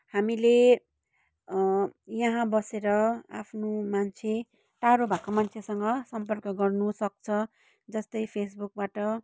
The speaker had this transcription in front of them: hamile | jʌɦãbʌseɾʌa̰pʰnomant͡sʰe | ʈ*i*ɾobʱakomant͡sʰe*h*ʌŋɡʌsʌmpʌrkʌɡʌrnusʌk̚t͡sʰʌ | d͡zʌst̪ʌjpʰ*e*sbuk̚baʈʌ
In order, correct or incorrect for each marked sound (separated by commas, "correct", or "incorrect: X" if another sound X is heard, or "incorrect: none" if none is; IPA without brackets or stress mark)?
incorrect: a, incorrect: s, correct